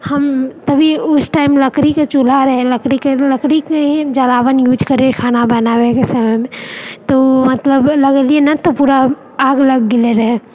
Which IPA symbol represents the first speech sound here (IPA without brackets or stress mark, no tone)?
h